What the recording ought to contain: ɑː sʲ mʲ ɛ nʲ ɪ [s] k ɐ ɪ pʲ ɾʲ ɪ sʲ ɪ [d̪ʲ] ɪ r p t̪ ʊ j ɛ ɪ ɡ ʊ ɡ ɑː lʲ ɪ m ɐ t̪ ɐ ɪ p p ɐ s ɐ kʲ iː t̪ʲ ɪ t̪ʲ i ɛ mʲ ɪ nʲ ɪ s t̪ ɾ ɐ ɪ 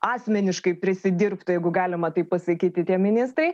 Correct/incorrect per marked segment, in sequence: incorrect: ʃ, correct

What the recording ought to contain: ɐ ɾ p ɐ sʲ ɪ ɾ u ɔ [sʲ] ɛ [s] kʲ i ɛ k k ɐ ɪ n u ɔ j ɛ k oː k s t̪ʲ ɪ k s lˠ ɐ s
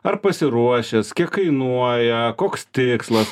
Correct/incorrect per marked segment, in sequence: incorrect: ʃʲ, correct

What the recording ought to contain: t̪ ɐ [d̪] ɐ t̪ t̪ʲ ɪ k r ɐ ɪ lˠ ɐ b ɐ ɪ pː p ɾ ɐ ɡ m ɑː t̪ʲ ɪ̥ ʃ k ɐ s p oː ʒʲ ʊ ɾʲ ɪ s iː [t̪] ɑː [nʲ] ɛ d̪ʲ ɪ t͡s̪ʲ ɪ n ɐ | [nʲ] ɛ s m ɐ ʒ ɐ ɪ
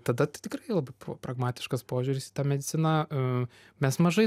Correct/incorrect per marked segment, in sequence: correct, correct, incorrect: mʲ, incorrect: mʲ

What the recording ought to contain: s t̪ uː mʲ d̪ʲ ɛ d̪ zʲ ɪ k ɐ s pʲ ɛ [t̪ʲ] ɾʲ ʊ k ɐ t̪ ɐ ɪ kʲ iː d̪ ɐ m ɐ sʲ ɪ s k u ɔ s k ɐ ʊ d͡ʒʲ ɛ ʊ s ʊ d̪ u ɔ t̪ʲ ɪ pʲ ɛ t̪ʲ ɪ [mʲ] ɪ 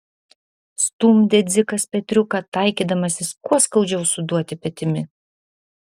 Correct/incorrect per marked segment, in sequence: correct, correct

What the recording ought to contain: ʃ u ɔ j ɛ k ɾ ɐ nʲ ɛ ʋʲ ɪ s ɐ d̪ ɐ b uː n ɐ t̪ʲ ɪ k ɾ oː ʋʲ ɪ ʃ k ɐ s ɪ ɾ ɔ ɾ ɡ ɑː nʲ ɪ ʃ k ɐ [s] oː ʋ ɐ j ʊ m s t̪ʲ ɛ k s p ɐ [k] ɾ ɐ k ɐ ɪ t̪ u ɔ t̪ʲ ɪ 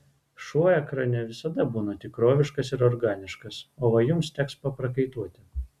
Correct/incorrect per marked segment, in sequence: correct, incorrect: p

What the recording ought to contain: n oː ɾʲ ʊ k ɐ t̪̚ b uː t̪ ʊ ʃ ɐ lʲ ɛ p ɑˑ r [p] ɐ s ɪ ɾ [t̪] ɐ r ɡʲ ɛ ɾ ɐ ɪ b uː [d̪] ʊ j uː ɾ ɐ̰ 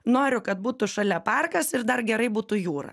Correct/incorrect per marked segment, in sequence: incorrect: k, incorrect: d̪, incorrect: t̪

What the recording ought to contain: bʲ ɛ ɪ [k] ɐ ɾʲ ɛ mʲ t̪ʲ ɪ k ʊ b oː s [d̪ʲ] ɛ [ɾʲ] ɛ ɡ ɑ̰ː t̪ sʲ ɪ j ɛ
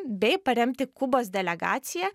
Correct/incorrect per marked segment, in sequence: incorrect: p, correct, incorrect: lʲ

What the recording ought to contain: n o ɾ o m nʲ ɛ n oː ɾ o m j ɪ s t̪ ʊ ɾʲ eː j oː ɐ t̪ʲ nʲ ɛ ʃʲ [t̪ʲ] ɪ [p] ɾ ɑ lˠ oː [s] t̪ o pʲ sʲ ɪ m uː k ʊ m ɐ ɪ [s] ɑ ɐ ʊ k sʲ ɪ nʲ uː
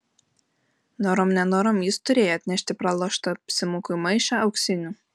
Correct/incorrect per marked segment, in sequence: correct, correct, incorrect: ʃ, incorrect: ʃ

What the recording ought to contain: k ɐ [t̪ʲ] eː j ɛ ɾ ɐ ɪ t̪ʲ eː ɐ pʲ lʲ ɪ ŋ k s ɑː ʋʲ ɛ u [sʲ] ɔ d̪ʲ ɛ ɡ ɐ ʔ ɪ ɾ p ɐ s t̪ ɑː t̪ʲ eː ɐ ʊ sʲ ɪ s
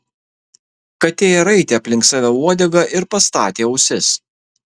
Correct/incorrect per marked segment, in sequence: correct, incorrect: none

